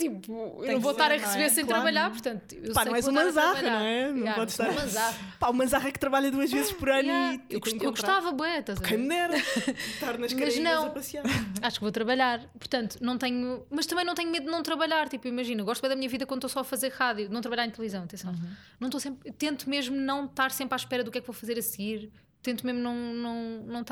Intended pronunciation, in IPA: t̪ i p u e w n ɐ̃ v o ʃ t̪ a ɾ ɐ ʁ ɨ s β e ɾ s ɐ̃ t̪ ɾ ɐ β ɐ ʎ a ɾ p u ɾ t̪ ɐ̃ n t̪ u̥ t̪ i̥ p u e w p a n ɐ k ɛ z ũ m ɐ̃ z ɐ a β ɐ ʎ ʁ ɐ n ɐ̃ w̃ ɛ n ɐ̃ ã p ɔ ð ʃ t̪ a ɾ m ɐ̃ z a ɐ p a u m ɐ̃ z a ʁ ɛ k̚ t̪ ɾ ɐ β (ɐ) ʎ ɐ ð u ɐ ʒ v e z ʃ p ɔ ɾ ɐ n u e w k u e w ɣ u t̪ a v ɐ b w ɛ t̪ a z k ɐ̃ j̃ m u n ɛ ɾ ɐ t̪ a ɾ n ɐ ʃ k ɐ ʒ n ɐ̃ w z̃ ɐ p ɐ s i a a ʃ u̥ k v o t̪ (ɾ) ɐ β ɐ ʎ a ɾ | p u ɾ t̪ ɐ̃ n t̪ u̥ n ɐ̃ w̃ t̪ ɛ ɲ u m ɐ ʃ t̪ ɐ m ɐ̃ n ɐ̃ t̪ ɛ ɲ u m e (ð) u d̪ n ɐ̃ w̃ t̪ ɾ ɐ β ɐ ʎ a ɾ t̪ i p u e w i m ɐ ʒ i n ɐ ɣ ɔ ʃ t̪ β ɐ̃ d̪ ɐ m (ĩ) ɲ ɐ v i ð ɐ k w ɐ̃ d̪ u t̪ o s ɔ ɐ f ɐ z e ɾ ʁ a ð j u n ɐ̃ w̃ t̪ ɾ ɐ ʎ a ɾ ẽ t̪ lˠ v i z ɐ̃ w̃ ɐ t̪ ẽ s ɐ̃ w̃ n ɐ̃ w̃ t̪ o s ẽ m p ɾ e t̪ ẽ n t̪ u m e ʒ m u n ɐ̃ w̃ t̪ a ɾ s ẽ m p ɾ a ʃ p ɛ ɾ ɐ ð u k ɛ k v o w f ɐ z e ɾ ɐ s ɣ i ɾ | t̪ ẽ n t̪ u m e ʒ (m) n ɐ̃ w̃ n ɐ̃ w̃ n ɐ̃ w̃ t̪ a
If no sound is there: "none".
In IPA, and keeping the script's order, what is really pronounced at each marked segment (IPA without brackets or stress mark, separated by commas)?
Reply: a, ɾ, ð, i, m